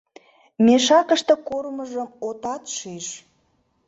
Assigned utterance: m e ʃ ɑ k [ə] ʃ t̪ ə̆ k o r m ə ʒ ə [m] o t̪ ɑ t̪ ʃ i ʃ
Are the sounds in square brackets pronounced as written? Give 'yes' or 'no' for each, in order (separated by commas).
yes, yes